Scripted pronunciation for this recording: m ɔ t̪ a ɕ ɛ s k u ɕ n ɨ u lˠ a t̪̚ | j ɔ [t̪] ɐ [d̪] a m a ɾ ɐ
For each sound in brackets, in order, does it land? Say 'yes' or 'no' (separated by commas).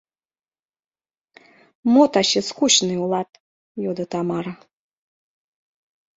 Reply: no, no